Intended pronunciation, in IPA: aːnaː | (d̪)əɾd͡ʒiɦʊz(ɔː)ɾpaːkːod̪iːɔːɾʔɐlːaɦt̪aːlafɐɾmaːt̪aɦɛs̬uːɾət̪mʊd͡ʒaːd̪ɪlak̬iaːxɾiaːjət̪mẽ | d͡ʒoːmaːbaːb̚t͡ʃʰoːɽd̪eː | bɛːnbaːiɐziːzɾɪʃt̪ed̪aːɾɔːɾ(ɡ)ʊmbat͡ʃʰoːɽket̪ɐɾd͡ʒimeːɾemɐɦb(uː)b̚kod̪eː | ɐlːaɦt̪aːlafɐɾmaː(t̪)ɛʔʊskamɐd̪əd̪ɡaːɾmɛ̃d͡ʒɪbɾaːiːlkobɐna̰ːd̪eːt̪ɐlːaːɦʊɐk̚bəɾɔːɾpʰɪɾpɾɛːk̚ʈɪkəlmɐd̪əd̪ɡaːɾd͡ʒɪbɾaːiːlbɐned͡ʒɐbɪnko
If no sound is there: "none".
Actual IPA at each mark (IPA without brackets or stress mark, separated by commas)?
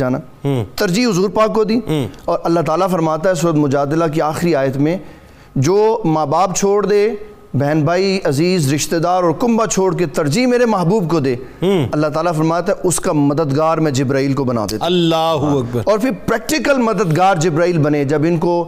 t̪, uː, k, uː, t̪